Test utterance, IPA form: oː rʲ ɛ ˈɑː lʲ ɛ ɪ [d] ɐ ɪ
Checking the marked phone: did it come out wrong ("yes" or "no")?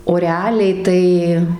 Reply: yes